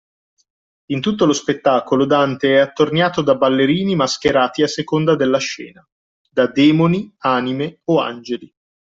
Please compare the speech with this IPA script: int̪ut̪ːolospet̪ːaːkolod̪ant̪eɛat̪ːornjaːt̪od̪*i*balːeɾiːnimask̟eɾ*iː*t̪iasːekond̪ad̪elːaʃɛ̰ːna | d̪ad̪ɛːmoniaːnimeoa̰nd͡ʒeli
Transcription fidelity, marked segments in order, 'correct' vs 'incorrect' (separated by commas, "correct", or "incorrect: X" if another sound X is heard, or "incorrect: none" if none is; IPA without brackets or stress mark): incorrect: a, incorrect: aː